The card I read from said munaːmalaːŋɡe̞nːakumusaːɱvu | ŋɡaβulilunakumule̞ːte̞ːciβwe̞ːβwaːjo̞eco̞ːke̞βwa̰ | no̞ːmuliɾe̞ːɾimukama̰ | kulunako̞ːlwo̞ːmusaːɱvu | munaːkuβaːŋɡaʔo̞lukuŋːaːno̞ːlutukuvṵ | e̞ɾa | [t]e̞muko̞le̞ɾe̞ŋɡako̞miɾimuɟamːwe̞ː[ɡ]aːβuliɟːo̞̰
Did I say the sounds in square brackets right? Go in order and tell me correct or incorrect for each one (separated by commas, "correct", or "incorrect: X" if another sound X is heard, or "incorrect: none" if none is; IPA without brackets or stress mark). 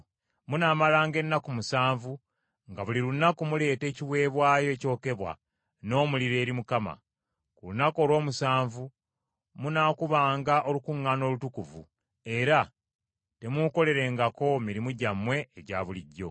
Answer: correct, incorrect: ɟ